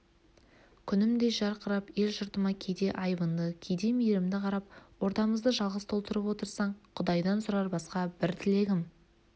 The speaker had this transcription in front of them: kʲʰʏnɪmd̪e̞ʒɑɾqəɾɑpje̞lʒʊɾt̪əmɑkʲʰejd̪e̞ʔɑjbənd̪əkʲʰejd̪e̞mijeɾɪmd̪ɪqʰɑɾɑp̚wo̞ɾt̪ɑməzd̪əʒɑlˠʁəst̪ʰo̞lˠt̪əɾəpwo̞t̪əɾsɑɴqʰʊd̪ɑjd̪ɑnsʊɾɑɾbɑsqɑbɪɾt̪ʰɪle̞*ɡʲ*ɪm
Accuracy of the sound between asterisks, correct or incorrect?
correct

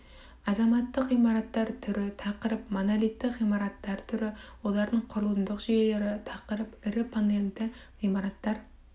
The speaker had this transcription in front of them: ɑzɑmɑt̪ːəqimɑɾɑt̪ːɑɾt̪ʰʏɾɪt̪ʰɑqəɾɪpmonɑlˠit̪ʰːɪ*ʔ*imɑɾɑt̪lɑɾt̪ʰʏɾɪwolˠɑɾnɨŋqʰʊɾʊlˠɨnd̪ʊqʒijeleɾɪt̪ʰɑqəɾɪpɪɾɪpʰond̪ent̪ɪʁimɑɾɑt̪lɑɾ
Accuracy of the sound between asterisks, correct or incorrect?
incorrect: q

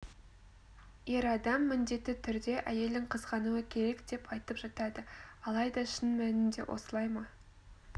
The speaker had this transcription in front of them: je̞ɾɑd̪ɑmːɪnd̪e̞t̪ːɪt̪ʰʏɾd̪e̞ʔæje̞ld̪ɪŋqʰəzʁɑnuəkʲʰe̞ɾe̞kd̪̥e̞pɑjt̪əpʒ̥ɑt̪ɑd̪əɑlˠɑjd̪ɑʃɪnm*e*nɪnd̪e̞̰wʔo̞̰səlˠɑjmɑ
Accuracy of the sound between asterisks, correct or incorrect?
incorrect: æ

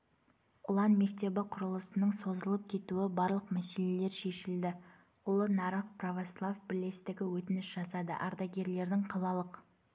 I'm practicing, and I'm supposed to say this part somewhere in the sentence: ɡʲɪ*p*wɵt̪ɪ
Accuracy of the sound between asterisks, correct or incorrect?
incorrect: none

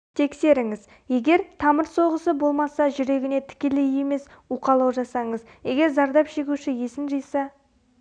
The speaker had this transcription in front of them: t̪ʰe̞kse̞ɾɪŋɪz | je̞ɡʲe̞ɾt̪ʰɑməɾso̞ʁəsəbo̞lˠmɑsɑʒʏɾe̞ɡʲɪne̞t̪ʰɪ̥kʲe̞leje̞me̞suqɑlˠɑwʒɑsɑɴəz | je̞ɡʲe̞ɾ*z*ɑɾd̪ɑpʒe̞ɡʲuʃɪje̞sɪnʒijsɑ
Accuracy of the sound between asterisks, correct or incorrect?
correct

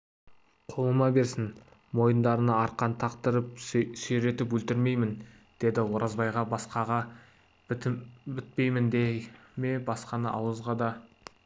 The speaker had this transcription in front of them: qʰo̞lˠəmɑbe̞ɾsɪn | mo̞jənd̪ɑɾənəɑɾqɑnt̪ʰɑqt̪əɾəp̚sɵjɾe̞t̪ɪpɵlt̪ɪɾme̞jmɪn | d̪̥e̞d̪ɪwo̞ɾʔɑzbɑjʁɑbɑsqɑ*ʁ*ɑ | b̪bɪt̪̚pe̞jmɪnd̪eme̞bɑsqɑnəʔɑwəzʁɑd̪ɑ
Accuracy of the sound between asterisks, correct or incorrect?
correct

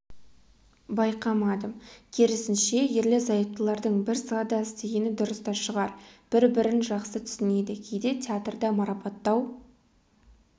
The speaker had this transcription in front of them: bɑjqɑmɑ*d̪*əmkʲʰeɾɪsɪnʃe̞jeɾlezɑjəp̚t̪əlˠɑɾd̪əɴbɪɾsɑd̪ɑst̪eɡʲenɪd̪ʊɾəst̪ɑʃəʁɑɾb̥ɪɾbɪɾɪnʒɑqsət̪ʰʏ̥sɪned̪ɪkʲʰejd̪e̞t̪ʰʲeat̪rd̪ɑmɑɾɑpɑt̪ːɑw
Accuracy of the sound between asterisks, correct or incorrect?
correct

